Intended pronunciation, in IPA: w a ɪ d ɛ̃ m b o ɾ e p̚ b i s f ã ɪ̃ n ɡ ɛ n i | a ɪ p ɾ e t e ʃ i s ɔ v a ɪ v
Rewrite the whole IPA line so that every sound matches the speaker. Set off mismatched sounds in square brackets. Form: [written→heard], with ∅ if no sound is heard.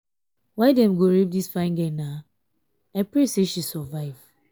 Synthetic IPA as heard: w a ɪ d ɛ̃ m [b→ɡ] o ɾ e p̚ [b→d] i s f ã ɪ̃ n ɡ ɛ n [i→a] | a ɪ p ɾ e [t→s] e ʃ i s ɔ v a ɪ v